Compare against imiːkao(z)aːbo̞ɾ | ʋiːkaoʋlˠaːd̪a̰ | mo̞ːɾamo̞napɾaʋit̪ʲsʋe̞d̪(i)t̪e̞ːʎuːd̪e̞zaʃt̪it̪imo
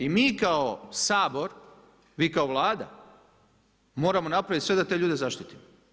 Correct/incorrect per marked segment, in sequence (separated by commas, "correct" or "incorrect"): incorrect, incorrect